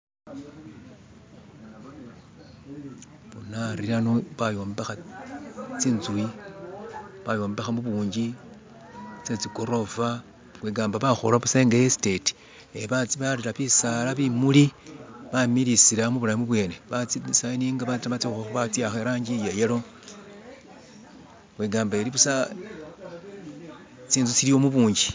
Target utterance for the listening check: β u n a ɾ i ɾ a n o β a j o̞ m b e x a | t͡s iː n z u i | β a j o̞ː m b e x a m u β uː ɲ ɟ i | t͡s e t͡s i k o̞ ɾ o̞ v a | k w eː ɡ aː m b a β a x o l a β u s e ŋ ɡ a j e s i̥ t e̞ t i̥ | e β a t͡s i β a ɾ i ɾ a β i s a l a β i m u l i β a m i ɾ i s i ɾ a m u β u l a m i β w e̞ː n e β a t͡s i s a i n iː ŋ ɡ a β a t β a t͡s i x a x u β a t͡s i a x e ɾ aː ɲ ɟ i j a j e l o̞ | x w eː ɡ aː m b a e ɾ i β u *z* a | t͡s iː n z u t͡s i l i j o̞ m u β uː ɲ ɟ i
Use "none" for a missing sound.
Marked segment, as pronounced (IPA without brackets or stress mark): s